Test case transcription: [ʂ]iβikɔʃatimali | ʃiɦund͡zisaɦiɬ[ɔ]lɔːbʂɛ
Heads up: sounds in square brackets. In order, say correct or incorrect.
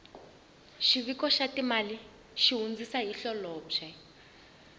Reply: incorrect: ʃ, correct

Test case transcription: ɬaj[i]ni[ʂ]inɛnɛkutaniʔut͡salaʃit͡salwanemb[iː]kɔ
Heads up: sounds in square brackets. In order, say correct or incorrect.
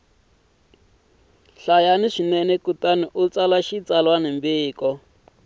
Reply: incorrect: a, correct, correct

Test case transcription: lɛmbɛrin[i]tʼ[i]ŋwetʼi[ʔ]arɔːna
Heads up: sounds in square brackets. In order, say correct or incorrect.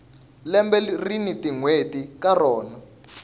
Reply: correct, correct, incorrect: k

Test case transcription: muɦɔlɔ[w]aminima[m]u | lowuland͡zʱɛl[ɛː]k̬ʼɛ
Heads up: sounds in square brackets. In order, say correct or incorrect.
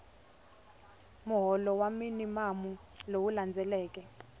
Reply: correct, correct, correct

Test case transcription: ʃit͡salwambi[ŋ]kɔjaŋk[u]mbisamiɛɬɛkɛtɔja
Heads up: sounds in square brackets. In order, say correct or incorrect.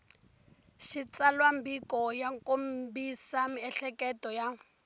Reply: incorrect: none, incorrect: o

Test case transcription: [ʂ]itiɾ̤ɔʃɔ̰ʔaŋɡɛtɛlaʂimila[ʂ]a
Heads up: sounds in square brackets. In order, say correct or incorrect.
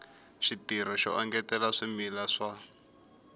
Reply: incorrect: ʃ, correct

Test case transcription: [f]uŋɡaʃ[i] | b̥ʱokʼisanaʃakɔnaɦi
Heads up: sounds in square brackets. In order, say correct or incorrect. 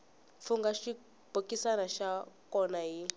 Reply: correct, correct

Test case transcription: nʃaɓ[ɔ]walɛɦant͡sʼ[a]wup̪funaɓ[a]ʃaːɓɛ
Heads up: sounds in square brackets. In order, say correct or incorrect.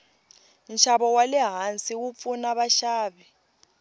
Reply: correct, incorrect: i, correct

